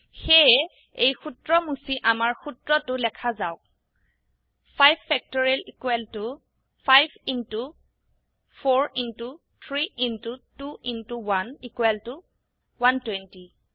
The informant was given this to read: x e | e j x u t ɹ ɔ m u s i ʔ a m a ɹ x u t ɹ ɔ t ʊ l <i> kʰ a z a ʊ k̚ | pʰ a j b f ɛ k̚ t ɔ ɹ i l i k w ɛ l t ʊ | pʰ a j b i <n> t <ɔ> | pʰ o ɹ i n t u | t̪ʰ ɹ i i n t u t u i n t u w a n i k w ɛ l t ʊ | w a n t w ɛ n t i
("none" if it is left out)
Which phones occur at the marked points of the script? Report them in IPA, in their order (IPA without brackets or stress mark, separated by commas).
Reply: ɛ, n, u